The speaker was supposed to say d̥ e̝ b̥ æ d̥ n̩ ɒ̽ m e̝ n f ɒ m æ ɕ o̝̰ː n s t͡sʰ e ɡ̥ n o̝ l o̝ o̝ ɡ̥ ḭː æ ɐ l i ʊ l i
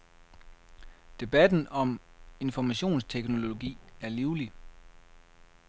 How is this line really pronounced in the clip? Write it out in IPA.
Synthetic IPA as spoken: d̥ e̝ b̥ æ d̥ n̩ ɒ̽ m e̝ n f ɒ m æ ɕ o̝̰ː n s t͡sʰ e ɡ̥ n o̝ l o̝ o̝ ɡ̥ ḭː æ ɐ l i ʊ l i